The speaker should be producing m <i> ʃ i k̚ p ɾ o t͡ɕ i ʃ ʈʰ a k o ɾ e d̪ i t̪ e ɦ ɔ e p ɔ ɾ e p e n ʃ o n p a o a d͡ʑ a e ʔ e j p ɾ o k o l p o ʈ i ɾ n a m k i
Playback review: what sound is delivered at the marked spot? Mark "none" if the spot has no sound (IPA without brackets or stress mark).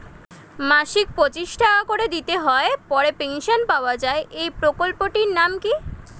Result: a